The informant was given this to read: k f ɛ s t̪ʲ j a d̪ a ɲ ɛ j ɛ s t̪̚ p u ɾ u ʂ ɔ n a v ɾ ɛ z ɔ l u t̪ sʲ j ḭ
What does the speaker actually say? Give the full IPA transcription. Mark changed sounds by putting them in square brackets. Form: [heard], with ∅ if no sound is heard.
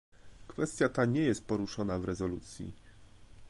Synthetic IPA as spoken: k f ɛ s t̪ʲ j a [t̪] a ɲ ɛ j ɛ s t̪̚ p [ɔ] ɾ u ʂ ɔ n a v ɾ ɛ z ɔ l u t̪ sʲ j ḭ